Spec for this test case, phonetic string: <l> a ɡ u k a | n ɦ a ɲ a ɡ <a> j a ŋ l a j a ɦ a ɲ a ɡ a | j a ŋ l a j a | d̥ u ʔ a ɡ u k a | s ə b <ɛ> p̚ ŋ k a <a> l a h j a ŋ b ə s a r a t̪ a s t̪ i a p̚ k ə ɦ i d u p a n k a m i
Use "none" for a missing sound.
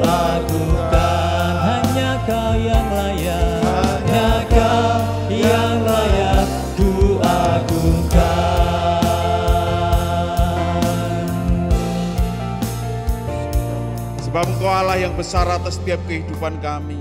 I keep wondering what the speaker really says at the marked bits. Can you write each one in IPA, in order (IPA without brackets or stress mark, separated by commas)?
l, a, a, a